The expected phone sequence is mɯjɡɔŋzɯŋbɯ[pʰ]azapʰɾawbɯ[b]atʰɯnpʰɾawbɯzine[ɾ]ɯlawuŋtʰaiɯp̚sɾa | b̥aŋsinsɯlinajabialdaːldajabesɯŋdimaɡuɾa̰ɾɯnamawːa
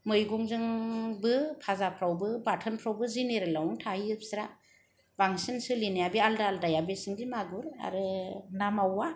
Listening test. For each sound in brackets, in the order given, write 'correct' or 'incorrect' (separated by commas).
correct, correct, correct